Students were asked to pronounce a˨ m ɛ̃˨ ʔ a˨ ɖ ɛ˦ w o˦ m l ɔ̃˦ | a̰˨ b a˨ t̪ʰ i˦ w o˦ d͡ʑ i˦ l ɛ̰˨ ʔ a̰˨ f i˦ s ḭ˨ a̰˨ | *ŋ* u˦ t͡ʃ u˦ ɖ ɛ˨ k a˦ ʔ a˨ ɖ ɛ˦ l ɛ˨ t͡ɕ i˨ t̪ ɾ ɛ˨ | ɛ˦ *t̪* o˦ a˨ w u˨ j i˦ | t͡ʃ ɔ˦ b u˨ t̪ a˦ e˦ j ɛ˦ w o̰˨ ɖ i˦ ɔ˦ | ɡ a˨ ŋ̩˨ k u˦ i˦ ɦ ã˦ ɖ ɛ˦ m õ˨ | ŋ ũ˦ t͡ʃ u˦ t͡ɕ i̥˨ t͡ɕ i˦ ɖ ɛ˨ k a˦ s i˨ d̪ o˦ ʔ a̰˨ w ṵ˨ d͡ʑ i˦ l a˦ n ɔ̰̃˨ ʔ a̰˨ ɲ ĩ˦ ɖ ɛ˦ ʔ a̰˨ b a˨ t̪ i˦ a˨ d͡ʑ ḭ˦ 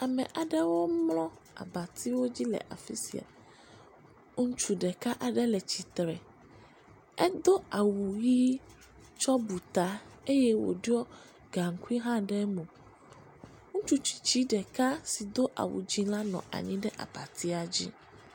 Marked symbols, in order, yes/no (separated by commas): yes, no